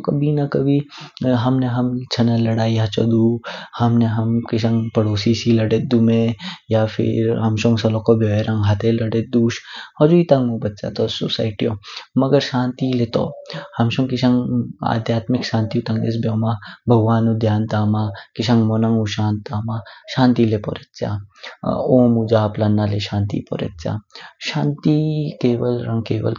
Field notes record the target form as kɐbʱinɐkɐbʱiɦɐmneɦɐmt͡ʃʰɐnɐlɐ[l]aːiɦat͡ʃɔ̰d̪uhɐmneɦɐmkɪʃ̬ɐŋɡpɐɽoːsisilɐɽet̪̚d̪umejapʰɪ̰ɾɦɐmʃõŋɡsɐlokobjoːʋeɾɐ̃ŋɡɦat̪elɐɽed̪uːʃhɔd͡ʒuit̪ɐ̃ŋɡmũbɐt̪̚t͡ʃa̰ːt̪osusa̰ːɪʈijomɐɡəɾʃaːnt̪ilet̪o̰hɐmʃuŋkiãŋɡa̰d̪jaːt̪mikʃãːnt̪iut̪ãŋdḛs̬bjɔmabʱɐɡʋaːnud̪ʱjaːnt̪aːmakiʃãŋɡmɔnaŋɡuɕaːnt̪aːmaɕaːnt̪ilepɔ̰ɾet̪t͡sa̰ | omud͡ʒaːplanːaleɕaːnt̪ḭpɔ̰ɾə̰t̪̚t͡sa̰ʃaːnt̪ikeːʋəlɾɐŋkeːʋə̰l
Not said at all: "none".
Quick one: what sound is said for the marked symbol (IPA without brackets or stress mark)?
ɽ